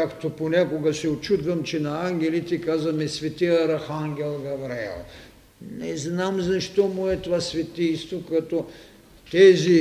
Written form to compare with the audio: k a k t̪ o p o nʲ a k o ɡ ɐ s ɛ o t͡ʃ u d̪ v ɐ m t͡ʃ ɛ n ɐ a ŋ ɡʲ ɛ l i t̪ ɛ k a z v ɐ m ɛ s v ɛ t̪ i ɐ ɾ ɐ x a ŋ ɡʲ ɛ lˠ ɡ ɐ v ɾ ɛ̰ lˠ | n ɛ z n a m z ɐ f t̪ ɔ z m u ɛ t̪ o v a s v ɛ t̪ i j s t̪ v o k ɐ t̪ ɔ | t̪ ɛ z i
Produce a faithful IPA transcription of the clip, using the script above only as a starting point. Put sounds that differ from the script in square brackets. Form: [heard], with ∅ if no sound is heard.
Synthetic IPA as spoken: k a k t̪ o p o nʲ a k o ɡ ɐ s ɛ o t͡ʃ u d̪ v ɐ m t͡ʃ ɛ n ɐ a ŋ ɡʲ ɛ l i t̪ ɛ k a z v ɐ m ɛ s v ɛ t̪ i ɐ ɾ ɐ x a ŋ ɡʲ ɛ lˠ ɡ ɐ v ɾ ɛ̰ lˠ | n ɛ z n a m z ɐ [ʃ] t̪ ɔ [∅] m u ɛ t̪ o v a s v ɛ t̪ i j s t̪ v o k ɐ t̪ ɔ | t̪ ɛ z i